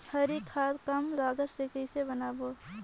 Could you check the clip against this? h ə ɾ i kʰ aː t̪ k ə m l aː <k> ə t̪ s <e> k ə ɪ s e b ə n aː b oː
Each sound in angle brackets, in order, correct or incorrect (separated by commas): incorrect, correct